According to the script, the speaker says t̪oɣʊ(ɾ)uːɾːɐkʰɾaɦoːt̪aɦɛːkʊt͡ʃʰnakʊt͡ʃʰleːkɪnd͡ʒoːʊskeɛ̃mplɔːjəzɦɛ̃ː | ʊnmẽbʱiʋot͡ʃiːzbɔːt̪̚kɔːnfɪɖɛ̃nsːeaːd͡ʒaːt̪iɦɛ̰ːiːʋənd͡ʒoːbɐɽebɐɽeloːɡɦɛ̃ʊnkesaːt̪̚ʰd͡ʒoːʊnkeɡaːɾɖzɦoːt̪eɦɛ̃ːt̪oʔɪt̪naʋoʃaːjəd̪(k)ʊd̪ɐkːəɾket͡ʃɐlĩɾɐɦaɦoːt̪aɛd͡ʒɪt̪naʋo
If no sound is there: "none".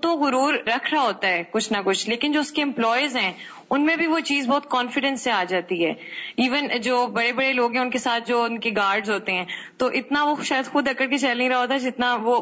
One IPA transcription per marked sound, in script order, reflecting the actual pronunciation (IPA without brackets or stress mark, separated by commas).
ɾ, x